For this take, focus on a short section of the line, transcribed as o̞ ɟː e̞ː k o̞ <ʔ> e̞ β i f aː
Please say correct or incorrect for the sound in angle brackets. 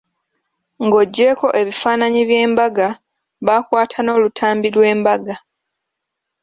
correct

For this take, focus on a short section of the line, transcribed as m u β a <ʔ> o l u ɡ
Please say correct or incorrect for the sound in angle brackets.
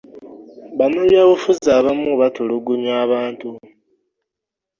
incorrect: t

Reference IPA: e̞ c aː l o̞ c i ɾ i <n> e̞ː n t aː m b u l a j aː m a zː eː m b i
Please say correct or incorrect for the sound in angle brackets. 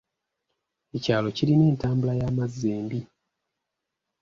correct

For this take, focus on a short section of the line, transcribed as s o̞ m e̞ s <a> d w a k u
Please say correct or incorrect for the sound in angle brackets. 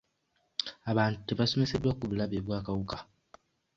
incorrect: e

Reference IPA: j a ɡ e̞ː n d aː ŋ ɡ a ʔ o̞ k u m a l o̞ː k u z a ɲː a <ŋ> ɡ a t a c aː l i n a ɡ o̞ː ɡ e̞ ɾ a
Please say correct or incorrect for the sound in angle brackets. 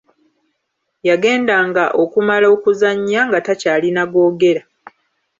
correct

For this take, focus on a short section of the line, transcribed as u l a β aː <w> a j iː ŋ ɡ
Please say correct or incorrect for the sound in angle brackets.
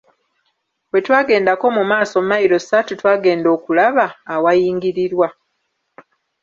correct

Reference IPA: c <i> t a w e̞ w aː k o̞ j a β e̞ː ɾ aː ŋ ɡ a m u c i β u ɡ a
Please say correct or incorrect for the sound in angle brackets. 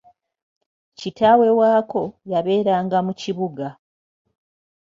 correct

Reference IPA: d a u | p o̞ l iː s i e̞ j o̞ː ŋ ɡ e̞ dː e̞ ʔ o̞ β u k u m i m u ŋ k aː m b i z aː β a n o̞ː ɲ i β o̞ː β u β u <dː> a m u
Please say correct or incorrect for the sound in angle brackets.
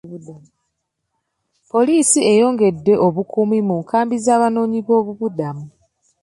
incorrect: d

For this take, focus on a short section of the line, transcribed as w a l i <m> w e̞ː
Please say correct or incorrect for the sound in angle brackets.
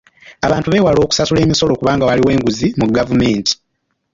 incorrect: none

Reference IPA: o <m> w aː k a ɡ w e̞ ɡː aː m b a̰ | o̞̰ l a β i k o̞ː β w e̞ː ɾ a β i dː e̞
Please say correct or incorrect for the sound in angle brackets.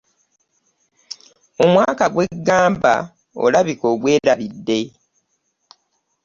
correct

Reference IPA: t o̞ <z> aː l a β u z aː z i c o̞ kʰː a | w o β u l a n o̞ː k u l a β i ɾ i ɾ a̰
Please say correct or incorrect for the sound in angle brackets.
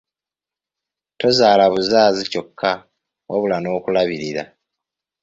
correct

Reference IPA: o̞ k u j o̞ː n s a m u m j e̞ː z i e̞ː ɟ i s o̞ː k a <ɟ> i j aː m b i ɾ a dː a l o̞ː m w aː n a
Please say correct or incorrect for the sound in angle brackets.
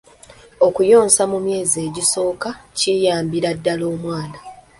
incorrect: c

